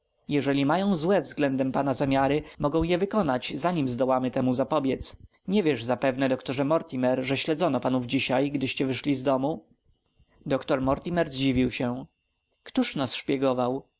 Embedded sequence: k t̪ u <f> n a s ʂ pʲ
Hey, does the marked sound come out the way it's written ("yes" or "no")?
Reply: no